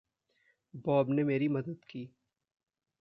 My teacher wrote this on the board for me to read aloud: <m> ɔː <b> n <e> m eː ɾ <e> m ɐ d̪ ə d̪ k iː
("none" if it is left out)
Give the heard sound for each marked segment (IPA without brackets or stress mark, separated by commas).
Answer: b, b, e, i